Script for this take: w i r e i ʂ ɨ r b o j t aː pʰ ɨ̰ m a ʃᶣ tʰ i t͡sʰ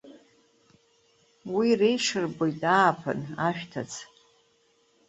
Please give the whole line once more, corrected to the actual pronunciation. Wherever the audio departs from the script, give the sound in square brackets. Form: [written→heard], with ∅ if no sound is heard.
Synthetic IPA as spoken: w i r e [i→j] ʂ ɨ r b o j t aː pʰ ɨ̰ [m→n] a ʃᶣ tʰ [i→a] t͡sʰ